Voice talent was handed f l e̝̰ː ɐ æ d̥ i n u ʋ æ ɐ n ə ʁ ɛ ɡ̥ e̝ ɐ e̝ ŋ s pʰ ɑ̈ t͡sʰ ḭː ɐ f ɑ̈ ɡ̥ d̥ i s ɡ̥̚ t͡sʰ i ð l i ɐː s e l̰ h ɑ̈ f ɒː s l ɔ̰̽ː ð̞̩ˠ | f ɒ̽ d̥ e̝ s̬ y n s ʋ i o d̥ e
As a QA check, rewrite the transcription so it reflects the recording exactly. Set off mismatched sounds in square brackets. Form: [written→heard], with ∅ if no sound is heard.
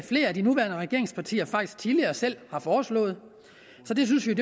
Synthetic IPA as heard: f l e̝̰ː ɐ æ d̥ i n u ʋ æ ɐ n ə ʁ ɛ ɡ̥ e̝ ɐ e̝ ŋ s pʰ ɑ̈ t͡sʰ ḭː ɐ f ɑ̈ ɡ̥ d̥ i s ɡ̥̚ t͡sʰ i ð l i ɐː s e l̰ h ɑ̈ f ɒː s l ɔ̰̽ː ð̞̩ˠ | [f→s] ɒ̽ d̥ e̝ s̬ y n s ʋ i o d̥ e